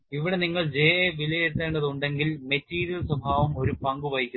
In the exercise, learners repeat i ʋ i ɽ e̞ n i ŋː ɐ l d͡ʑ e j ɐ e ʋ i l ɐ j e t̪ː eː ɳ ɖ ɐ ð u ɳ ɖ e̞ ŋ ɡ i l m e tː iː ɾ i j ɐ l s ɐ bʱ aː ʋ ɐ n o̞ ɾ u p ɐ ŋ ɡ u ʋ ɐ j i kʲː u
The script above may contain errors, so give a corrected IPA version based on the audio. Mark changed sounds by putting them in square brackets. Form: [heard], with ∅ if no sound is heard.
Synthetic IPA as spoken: i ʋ i ɽ e̞ n i ŋː ɐ [ɭ] d͡ʑ e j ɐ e ʋ i l ɐ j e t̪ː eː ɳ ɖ ɐ ð u ɳ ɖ e̞ ŋ ɡ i l m e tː iː ɾ i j ɐ l s ɐ bʱ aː ʋ ɐ [m] o̞ ɾ u p ɐ ŋ ɡ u ʋ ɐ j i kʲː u